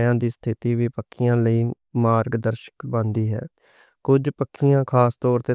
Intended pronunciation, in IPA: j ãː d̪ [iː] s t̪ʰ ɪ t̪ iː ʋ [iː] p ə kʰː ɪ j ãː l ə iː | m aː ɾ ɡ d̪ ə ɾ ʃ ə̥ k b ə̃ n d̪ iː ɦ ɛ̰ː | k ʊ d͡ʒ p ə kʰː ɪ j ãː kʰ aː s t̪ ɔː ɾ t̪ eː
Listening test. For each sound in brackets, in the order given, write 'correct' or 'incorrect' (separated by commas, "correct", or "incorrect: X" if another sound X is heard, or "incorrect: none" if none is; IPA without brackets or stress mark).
correct, correct